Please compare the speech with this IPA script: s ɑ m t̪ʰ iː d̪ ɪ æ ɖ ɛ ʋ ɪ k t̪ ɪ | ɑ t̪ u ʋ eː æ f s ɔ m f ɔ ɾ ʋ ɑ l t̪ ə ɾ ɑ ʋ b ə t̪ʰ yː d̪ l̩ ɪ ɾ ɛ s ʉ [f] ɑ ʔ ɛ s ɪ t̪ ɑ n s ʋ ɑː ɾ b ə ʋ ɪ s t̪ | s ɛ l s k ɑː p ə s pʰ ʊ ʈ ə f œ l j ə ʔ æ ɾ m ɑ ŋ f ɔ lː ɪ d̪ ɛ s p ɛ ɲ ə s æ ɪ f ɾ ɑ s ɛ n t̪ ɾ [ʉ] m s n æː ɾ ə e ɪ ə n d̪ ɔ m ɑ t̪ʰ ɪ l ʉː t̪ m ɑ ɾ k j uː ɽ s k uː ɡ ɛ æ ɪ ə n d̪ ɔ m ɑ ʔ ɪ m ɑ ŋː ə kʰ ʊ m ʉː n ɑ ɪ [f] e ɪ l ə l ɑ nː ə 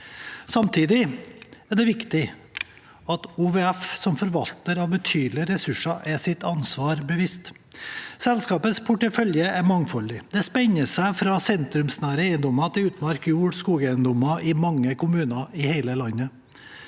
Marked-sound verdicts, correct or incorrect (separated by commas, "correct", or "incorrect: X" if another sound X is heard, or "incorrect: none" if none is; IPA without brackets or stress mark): incorrect: ʂ, correct, incorrect: h